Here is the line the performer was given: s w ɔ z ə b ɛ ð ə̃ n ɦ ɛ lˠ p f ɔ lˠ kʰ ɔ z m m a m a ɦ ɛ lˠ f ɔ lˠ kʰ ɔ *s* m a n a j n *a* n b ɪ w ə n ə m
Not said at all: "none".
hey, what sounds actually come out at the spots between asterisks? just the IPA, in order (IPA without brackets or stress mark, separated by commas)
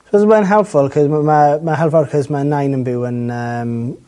z, ə